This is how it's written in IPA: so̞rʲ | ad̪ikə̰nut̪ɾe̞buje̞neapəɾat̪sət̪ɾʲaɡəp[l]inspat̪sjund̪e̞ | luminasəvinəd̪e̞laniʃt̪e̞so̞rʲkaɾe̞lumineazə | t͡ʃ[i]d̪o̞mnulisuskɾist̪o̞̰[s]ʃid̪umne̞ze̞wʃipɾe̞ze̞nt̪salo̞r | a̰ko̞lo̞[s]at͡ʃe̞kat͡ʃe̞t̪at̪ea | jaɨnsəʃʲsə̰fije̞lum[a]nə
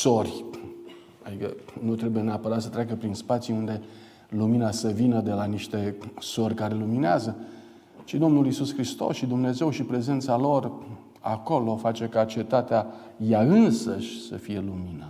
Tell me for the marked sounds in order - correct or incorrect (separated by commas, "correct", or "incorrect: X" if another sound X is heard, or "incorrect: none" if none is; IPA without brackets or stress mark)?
incorrect: ɾ, correct, correct, incorrect: f, incorrect: i